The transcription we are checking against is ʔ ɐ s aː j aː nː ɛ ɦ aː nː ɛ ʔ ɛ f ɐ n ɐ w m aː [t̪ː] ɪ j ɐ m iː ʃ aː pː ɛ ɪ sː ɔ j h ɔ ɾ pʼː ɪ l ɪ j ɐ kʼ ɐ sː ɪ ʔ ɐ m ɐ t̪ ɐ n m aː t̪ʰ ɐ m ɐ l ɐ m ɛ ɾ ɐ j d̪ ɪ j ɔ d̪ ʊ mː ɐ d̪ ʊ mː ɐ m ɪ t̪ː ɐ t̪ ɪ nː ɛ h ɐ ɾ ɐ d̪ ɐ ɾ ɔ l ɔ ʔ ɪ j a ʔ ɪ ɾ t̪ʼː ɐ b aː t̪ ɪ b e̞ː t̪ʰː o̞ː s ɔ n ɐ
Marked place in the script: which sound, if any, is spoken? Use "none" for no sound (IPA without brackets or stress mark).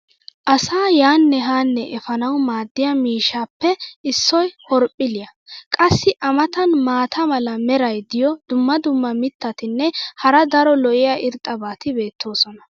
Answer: d̪ː